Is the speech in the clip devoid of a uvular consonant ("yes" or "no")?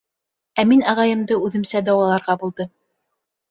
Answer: no